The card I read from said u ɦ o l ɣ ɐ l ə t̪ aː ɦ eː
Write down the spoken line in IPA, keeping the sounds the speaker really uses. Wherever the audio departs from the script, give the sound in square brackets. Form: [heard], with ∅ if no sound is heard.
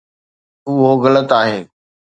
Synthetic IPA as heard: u ɦ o [∅] ɣ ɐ l ə t̪ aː ɦ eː